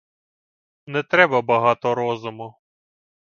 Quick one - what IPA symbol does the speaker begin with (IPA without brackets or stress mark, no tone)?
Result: n